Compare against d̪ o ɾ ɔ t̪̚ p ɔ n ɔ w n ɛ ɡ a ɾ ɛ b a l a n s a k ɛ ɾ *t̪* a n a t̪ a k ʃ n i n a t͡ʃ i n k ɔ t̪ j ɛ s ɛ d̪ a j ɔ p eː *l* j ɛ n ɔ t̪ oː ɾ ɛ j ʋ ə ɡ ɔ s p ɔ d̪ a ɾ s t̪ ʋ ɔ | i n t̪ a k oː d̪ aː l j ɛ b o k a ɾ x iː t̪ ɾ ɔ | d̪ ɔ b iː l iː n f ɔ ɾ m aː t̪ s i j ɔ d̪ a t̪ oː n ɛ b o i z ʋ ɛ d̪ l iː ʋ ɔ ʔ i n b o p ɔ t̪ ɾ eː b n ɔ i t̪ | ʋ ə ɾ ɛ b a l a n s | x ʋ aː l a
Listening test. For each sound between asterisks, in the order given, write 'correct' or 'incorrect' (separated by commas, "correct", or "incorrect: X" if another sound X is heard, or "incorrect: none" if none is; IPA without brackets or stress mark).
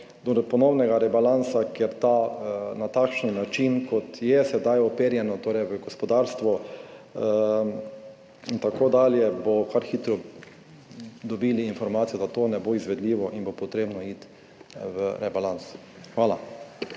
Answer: correct, incorrect: ɾ